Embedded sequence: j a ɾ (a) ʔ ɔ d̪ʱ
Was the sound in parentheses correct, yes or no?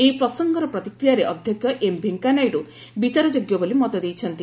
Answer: no